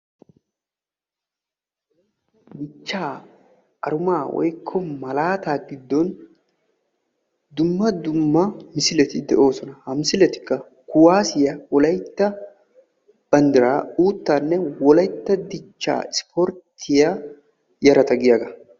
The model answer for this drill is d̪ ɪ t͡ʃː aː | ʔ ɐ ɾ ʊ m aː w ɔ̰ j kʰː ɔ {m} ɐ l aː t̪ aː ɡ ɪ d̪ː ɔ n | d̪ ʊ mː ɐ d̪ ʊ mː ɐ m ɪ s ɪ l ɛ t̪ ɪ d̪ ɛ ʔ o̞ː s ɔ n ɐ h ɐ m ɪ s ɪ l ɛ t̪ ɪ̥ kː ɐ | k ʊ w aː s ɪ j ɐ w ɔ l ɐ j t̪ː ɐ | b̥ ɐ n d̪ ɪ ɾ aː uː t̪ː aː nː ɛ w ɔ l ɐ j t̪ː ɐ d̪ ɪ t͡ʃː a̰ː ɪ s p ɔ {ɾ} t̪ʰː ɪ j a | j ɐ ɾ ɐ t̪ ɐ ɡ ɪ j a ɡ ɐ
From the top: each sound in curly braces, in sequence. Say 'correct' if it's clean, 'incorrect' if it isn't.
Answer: correct, correct

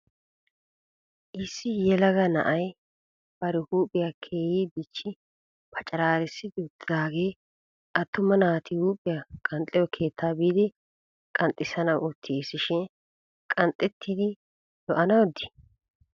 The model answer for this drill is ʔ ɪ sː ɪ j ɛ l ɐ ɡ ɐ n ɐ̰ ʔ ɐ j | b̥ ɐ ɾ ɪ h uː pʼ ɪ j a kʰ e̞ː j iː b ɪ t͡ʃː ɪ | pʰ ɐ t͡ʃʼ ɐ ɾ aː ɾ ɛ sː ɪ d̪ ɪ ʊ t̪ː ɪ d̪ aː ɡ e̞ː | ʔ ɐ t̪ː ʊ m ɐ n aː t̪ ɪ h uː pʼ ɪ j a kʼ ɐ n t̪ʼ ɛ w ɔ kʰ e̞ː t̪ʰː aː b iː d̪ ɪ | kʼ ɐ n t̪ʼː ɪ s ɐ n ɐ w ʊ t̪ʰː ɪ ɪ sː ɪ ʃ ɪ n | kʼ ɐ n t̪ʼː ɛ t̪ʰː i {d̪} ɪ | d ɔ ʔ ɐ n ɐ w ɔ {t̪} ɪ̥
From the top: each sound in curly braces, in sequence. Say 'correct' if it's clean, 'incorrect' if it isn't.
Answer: correct, incorrect: d̪

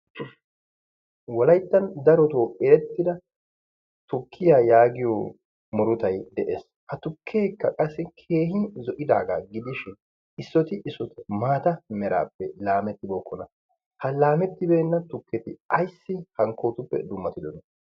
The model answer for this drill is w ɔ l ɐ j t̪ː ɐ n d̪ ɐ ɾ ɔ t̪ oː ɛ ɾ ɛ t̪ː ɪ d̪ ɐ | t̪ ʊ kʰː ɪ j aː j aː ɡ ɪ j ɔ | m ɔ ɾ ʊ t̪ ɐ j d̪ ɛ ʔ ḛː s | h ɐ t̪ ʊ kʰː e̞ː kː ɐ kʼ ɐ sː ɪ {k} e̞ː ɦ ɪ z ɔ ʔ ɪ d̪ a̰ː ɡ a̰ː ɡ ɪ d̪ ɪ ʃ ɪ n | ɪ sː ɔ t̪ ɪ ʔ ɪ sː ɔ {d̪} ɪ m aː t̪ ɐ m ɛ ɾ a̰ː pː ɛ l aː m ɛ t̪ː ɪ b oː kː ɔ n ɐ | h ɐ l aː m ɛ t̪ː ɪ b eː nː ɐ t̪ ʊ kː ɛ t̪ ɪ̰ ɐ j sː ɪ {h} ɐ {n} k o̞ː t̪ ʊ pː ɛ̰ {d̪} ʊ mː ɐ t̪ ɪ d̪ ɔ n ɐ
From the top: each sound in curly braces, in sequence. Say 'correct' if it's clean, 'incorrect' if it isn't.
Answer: incorrect: kʰ, incorrect: t̪, correct, incorrect: ŋ, correct

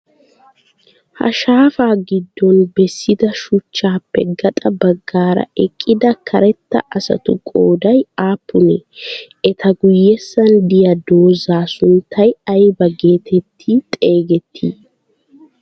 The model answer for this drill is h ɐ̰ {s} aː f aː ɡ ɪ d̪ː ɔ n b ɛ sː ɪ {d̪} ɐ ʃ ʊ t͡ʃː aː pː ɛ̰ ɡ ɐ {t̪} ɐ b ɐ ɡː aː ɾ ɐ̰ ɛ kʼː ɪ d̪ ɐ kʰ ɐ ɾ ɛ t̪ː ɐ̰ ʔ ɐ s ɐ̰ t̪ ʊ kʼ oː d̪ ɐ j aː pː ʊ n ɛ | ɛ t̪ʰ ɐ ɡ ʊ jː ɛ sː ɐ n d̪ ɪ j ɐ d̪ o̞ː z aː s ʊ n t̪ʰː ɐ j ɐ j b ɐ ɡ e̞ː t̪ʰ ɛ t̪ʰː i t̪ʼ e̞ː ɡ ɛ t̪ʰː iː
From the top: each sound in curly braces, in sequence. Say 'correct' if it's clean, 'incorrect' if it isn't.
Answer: incorrect: ʃ, correct, incorrect: t̪ʼ

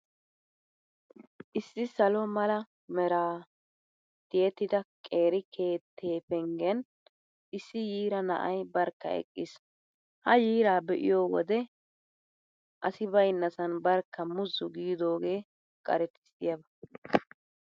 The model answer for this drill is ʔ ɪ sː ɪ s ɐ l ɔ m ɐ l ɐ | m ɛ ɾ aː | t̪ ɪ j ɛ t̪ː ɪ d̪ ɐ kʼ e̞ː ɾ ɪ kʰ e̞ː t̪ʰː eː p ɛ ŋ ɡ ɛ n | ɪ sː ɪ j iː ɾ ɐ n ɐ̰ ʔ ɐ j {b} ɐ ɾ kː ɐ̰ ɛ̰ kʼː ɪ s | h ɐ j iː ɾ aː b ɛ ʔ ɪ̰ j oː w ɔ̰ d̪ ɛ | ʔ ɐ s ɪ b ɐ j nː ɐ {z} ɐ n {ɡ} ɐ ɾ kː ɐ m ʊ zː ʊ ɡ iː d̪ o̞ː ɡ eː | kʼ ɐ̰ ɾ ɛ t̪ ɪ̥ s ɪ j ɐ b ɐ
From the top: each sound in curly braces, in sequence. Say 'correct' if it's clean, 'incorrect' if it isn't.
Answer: correct, incorrect: s, incorrect: b

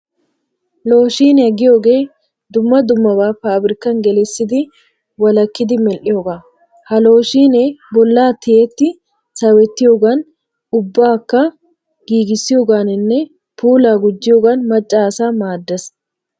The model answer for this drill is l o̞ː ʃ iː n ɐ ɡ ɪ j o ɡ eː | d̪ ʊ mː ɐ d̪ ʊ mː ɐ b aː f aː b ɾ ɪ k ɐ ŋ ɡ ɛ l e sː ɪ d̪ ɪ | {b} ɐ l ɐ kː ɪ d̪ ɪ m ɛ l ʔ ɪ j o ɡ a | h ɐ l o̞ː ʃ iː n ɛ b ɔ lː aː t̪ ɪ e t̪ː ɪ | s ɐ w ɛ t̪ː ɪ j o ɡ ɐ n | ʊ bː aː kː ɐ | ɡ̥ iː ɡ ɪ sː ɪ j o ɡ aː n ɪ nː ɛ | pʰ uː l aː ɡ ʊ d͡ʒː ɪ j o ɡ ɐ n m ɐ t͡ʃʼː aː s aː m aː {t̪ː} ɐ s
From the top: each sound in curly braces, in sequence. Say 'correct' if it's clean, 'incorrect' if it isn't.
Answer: incorrect: w, incorrect: d̪ː

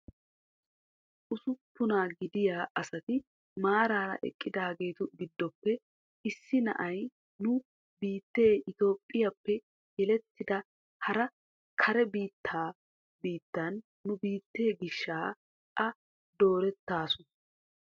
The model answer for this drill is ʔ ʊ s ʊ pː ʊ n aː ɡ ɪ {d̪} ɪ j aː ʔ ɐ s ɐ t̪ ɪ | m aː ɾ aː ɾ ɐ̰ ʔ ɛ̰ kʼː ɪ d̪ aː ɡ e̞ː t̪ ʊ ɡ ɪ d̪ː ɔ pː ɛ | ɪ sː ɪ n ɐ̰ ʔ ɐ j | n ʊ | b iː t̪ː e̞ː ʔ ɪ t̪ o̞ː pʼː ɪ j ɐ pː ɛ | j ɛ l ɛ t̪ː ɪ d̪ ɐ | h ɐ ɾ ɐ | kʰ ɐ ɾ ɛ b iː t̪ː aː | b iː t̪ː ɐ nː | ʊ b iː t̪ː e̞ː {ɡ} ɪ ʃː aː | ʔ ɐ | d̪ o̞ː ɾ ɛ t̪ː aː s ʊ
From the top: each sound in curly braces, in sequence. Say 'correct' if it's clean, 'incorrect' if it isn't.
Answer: correct, correct

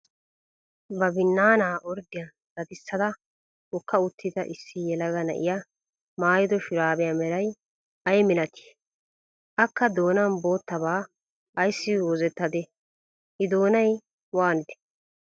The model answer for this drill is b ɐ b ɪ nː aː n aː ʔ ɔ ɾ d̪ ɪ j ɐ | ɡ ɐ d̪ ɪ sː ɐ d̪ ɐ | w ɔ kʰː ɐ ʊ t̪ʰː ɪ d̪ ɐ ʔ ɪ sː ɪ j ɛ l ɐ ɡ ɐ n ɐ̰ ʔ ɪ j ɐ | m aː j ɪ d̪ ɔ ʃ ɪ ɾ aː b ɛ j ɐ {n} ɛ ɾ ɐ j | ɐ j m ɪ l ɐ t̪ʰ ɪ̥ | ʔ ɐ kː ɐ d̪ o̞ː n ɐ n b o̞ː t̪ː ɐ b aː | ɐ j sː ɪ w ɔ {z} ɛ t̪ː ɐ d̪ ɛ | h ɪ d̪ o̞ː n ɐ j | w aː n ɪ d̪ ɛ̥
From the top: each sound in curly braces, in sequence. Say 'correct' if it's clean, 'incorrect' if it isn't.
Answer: incorrect: m, correct

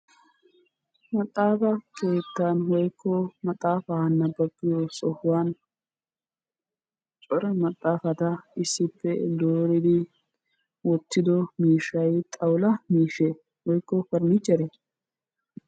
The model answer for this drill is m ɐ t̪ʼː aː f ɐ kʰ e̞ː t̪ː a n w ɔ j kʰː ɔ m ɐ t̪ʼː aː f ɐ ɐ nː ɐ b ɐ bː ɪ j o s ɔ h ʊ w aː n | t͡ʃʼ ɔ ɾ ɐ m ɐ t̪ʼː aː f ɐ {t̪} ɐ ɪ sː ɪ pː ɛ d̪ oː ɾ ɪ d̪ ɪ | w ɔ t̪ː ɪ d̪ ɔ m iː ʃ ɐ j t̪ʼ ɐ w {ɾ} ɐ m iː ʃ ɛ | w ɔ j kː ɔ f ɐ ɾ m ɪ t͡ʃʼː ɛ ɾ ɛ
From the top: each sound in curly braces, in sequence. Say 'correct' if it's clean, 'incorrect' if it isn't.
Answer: correct, incorrect: l

